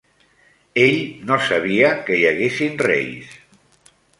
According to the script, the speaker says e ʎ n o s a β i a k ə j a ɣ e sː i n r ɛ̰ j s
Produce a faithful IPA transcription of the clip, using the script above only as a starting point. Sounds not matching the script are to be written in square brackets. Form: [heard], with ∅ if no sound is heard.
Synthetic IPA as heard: e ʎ n o s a β i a k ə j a ɣ e [s] i n r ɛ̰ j s